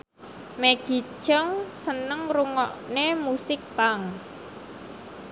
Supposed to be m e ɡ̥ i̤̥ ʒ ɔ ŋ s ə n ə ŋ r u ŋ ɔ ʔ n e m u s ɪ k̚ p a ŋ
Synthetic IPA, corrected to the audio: m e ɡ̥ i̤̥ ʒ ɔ ŋ s ə n ə ŋ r u ŋ ɔ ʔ n e m u s ɪ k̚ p a ŋ